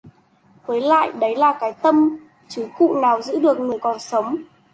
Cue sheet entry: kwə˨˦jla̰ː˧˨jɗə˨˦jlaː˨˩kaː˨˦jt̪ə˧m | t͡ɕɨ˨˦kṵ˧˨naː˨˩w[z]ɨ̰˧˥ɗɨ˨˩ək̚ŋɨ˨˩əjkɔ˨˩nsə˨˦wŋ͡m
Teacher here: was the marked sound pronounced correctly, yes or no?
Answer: yes